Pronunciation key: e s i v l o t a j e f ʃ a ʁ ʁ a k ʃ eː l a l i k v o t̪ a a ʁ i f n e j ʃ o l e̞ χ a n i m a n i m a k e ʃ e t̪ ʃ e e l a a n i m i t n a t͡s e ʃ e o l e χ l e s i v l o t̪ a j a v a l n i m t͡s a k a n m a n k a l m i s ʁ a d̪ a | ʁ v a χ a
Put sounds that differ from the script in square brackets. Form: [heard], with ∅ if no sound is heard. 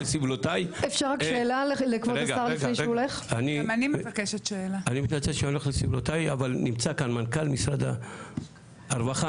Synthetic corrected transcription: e s i v l o t a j e f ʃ a ʁ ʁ a k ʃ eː l a l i k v o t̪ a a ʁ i f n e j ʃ o l e̞ χ a n i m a n i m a k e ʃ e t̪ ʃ e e l a a n i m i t n a t͡s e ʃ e o l e χ l e s i v l o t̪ a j a v a l n i m t͡s a k a n m a n k a l m i s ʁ a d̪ a | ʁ v a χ a